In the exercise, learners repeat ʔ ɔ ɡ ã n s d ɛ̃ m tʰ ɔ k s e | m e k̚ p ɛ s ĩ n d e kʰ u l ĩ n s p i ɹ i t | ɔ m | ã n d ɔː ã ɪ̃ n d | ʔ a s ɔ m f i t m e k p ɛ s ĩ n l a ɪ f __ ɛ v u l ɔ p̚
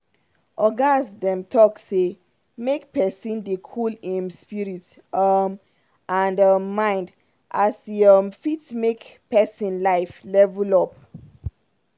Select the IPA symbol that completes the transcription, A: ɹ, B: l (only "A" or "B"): B